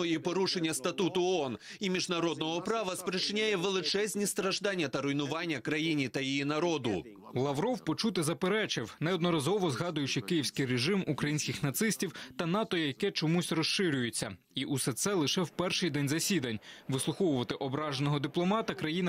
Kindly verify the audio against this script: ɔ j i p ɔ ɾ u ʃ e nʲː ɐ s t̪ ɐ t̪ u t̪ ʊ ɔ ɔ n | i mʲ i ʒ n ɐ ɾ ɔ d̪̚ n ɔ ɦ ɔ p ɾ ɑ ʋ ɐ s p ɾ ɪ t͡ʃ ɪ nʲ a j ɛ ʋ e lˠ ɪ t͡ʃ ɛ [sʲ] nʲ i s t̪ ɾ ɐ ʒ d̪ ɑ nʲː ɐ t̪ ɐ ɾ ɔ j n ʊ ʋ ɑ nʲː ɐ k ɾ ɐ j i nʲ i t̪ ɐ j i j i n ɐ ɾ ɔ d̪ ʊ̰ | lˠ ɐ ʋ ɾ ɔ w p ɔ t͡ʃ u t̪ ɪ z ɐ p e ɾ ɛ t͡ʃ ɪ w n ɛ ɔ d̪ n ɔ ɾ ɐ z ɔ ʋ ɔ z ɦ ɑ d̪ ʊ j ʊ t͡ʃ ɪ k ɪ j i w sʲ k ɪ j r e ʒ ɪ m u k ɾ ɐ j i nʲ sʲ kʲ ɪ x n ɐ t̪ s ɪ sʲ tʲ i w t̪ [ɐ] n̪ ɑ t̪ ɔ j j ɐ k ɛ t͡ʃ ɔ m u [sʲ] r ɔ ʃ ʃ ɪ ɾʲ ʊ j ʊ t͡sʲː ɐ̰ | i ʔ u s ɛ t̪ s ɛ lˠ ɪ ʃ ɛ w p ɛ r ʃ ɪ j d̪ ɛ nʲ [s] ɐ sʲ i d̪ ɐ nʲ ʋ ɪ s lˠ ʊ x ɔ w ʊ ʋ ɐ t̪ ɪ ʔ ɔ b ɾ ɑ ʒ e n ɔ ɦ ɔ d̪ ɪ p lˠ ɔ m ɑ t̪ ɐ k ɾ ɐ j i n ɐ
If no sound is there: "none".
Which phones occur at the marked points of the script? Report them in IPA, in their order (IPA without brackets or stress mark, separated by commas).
zʲ, ɐ, sʲ, z